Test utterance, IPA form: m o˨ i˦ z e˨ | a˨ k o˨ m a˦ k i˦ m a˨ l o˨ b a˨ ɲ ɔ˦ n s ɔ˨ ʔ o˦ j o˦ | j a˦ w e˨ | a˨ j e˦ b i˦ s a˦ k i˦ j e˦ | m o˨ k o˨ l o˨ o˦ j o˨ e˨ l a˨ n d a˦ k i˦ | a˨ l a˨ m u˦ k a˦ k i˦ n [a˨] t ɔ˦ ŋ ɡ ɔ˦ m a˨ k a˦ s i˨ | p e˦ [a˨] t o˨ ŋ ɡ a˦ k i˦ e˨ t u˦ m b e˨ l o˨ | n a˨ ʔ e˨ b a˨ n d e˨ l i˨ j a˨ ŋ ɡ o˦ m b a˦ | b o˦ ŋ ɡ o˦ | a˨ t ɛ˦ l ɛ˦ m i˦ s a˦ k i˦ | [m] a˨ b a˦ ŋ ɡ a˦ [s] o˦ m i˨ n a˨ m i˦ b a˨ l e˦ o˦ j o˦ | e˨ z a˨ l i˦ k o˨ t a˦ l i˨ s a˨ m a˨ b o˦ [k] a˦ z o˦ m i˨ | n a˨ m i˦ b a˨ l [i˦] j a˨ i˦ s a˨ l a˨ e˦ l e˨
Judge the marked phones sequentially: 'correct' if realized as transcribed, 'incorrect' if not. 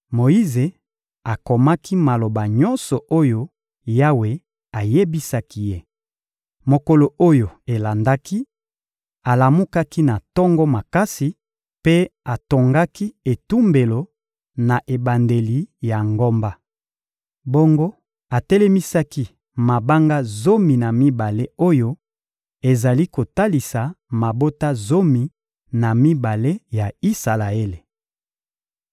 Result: correct, correct, correct, incorrect, incorrect, incorrect

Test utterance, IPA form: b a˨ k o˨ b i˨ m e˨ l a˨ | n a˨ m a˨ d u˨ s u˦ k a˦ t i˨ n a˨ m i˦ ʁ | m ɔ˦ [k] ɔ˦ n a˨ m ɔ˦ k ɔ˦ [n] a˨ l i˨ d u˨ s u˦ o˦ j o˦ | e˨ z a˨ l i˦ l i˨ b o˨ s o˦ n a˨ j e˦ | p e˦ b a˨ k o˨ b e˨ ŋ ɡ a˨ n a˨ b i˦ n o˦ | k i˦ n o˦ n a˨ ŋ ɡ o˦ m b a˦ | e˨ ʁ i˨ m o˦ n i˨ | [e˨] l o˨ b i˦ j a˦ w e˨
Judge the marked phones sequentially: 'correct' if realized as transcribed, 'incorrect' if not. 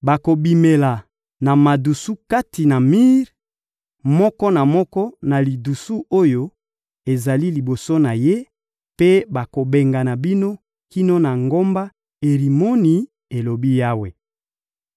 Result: correct, correct, correct

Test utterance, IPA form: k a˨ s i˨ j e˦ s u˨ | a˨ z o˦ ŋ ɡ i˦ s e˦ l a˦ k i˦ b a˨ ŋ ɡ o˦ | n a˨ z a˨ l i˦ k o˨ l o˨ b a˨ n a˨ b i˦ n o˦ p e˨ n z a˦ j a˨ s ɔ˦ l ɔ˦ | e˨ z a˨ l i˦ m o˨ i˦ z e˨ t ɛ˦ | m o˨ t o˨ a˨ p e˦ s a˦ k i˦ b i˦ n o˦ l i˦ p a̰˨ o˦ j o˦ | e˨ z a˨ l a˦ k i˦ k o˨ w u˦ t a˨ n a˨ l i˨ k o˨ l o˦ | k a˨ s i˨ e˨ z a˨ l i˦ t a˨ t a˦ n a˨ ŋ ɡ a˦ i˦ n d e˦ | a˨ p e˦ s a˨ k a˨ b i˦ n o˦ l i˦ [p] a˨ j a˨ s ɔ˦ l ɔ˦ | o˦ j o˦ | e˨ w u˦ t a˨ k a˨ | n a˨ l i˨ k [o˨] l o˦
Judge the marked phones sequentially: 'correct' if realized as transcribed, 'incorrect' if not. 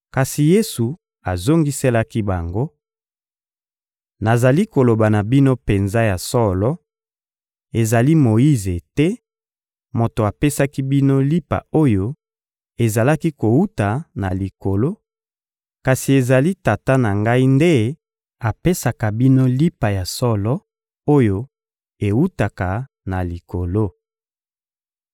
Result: correct, correct

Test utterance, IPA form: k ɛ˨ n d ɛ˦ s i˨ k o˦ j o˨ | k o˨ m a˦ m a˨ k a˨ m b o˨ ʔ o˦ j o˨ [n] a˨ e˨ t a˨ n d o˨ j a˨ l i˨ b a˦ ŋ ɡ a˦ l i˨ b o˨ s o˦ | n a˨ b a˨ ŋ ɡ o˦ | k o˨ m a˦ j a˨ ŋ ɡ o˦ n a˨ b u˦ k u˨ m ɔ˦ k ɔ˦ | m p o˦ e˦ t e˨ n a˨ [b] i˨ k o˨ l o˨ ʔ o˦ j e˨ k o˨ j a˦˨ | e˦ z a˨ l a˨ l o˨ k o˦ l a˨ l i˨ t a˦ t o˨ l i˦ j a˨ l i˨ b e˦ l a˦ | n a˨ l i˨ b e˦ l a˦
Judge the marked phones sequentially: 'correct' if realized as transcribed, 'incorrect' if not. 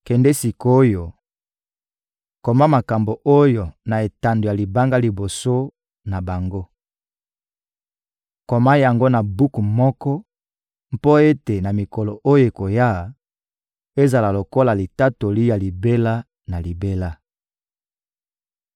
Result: correct, incorrect

